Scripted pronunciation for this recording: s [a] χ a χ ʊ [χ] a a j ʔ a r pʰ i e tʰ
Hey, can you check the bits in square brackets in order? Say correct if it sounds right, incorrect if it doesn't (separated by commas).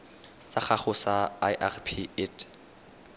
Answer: correct, incorrect